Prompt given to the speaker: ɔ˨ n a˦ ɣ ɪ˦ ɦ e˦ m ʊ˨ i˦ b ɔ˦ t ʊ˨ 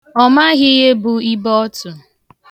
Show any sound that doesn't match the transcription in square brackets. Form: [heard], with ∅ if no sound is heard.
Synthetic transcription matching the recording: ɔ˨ [m] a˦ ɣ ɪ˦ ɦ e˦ [b] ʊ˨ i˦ b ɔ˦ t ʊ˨